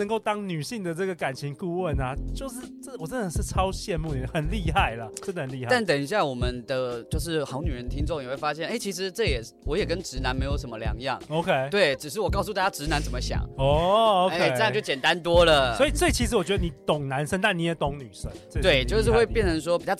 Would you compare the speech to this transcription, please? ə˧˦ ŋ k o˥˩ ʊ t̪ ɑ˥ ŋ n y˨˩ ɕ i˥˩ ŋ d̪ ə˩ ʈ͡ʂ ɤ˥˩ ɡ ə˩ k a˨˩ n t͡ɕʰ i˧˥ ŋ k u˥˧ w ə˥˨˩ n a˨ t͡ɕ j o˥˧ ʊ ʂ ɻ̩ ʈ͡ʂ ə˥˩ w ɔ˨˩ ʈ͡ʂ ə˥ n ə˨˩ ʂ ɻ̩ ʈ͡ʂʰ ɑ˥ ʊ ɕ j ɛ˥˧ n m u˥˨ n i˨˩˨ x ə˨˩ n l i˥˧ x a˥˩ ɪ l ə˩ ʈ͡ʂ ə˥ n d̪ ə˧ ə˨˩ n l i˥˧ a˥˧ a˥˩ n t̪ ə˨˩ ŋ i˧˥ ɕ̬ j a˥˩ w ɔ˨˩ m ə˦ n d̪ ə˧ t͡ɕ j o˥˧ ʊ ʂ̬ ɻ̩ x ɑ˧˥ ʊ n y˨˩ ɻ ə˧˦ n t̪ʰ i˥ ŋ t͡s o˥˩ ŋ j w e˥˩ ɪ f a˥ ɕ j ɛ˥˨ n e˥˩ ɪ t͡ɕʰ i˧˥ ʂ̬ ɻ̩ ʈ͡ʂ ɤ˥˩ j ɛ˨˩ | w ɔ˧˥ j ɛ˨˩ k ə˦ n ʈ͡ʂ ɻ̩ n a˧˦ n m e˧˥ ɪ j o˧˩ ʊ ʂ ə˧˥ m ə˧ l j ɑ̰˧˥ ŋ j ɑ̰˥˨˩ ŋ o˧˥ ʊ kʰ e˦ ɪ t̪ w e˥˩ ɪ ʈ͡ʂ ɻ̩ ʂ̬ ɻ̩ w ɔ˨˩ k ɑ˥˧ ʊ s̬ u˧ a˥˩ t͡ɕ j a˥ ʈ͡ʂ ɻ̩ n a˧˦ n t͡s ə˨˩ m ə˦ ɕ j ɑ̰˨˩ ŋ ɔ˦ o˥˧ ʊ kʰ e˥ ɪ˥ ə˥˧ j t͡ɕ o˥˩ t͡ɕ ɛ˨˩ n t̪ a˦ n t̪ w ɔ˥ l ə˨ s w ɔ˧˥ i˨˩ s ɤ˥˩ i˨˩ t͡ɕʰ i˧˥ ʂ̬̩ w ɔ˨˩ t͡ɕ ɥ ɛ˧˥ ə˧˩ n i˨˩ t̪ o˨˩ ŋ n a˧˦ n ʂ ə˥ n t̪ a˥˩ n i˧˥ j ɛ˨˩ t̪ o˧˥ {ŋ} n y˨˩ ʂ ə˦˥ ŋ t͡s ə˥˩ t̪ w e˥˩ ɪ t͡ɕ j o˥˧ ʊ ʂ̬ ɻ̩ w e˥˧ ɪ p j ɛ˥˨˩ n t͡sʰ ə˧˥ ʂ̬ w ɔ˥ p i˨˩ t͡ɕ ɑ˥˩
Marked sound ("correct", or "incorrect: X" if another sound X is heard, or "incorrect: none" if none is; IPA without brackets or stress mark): correct